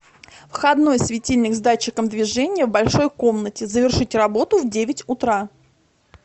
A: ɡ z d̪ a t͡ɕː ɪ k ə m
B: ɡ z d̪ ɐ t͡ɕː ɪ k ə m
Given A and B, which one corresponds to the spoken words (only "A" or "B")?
A